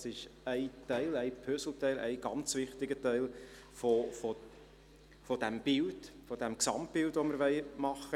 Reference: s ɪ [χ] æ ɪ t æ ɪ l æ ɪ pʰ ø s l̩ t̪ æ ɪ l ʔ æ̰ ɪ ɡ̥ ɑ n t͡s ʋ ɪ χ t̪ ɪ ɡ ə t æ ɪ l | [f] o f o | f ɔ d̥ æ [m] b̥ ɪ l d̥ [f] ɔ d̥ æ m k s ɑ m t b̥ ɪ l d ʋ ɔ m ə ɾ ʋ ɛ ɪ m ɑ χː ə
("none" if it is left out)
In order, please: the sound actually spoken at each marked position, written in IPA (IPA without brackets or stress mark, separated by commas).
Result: ʃ, f, m, f